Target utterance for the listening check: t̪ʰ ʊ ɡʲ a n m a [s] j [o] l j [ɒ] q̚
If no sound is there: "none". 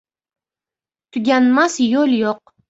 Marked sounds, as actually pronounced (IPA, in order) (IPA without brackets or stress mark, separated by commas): s, o, o